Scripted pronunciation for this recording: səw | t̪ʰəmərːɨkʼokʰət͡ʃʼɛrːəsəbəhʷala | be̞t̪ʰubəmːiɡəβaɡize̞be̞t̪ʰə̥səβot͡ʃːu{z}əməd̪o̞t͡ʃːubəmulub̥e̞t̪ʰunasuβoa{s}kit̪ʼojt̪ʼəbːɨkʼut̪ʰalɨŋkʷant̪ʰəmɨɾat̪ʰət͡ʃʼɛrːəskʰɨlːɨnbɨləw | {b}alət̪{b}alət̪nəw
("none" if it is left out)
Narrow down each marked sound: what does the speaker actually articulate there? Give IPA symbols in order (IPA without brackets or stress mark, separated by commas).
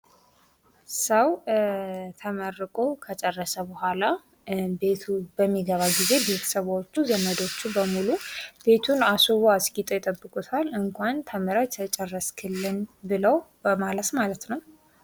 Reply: z, s, m, m